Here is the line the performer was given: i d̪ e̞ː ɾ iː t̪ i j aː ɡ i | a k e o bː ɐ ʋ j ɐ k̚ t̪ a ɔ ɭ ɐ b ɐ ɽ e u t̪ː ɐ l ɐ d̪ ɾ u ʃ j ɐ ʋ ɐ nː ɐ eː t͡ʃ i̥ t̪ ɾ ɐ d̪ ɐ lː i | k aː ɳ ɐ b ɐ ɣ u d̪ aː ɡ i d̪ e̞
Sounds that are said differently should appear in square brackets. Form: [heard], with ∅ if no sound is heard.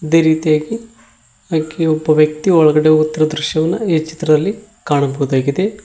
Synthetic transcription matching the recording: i d̪ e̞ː ɾ iː t̪ i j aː ɡ i | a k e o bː ɐ ʋ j ɐ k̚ t̪ [i] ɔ ɭ ɐ [ɡ] ɐ ɽ e u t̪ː ɐ [ɾ] ɐ d̪ ɾ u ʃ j ɐ ʋ ɐ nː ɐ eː t͡ʃ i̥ t̪ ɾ ɐ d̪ ɐ lː i | k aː ɳ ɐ b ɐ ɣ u d̪ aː ɡ i d̪ e̞